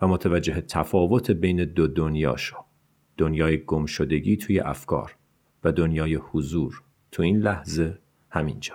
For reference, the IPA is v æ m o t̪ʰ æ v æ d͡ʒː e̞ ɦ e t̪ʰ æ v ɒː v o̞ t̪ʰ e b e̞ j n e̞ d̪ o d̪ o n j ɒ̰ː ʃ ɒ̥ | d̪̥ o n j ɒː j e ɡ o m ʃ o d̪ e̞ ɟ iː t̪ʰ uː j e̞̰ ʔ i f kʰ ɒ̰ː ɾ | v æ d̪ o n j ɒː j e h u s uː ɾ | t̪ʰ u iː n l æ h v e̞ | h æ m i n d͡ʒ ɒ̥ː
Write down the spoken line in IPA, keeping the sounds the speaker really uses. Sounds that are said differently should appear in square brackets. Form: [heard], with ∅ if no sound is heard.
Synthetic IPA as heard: v æ m o t̪ʰ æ v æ d͡ʒː e̞ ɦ e t̪ʰ æ [f] ɒː v o̞ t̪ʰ e b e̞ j n e̞ d̪ o d̪ o n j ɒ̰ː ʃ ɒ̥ | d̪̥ o n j ɒː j e ɡ o m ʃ o d̪ e̞ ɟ iː t̪ʰ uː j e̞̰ ʔ [æ] f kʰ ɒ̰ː ɾ | v æ d̪ o n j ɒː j e h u [z] uː ɾ | t̪ʰ u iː n l æ h [z] e̞ | h æ m i n d͡ʒ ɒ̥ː